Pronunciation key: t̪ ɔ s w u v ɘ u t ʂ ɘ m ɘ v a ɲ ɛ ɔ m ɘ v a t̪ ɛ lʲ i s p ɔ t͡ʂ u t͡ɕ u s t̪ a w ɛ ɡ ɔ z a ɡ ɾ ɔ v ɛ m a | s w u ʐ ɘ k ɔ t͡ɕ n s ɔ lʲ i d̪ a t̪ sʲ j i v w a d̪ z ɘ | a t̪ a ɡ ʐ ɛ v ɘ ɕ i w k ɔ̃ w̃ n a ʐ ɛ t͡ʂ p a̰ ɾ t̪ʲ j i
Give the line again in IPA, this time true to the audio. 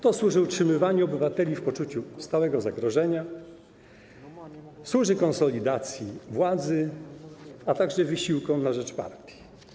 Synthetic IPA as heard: t̪ ɔ s w u ʐ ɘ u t ʂ ɘ m ɘ v a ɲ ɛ ɔ b ɘ v a t̪ ɛ lʲ i f p ɔ t͡ʂ u t͡ɕ u s t̪ a w ɛ ɡ ɔ z a ɡ ɾ ɔ ʐ ɛ ɲ a | s w u ʐ ɘ k ɔ n s ɔ lʲ i d̪ a t̪ sʲ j i v w a d̪ z ɘ | a t̪ a ɡ ʐ ɛ v ɘ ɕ i w k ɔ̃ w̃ n a ʐ ɛ t͡ʂ p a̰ ɾ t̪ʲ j i